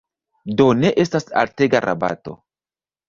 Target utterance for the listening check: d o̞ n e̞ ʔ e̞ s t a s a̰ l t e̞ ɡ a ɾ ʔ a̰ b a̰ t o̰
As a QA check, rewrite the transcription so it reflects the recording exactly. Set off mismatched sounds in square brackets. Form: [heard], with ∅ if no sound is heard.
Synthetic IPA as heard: d o̞ n e̞ ʔ e̞ s t a s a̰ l t e̞ ɡ a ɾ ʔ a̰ b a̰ t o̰